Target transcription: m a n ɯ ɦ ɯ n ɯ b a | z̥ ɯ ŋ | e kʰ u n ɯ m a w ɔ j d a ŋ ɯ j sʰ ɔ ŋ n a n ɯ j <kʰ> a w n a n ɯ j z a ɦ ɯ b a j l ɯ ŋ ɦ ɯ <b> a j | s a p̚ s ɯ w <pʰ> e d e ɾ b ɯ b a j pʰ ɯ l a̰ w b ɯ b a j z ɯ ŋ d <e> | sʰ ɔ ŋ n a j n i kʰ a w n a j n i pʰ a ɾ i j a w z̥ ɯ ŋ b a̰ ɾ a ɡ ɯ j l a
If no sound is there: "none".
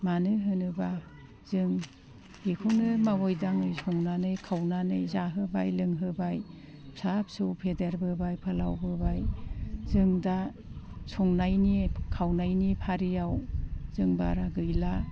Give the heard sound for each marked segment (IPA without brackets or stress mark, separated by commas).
kʰ, b, pʰ, a